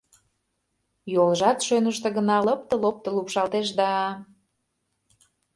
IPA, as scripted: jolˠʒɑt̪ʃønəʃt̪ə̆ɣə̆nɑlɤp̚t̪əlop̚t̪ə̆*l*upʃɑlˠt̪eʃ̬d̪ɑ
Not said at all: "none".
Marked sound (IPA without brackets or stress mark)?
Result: l